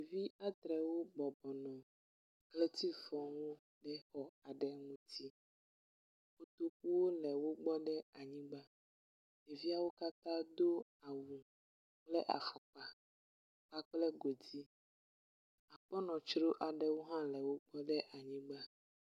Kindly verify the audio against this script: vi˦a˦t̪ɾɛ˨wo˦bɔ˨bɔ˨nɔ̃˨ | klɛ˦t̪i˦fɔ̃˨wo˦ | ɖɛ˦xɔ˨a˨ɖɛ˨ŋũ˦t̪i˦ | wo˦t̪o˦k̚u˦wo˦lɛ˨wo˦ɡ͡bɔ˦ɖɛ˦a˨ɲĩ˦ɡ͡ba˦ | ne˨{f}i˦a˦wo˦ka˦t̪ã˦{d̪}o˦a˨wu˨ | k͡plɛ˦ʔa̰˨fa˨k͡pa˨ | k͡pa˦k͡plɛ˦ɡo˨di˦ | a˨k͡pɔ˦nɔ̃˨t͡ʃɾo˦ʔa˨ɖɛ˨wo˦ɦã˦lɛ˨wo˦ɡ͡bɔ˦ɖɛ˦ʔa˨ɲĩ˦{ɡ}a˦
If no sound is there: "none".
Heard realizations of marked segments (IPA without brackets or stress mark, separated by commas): v, d̪, ɡ͡b